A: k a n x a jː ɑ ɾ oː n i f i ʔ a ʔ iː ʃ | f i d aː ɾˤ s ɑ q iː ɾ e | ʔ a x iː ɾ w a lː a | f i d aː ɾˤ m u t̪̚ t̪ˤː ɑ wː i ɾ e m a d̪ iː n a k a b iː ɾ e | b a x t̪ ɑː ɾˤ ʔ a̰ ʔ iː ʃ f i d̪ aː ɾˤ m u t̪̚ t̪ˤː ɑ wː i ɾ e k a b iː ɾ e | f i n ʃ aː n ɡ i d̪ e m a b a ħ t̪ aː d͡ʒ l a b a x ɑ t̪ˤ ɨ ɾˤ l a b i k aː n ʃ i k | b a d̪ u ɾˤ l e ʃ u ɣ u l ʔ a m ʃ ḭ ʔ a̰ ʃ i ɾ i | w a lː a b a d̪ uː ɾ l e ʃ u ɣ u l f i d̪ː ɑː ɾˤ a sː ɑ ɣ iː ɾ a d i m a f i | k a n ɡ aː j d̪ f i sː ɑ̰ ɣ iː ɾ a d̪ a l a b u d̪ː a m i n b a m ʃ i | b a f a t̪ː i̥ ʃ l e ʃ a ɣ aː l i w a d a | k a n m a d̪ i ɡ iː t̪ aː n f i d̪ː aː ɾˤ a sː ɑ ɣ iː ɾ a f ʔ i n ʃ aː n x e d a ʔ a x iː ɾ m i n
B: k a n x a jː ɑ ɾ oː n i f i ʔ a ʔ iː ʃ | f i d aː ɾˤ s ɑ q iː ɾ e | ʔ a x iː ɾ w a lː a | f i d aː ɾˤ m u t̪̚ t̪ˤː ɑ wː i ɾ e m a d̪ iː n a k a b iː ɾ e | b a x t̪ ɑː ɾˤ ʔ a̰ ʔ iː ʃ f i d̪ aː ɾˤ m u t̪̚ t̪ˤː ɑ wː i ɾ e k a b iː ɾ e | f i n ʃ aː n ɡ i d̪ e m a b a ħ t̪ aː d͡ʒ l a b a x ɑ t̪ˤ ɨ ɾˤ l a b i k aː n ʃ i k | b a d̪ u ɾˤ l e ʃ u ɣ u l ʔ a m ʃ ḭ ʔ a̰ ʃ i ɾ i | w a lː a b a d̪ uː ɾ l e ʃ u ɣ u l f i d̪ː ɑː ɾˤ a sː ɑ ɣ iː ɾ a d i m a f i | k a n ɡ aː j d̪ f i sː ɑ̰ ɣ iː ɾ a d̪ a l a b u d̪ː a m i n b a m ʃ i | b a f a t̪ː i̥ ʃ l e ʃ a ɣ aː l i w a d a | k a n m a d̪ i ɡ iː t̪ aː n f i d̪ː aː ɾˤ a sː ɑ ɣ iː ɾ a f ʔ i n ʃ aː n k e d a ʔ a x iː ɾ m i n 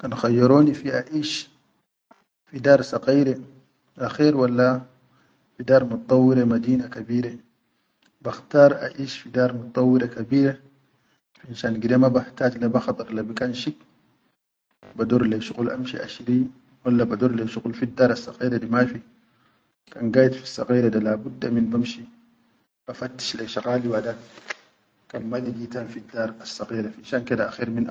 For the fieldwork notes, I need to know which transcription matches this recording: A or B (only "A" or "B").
B